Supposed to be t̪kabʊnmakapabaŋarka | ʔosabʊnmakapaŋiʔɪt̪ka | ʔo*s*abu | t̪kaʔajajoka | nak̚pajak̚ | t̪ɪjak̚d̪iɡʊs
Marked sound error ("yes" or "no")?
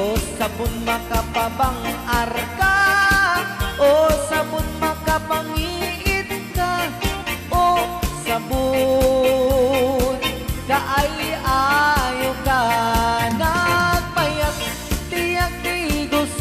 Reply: no